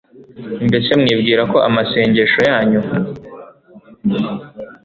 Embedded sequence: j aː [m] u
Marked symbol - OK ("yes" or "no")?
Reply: no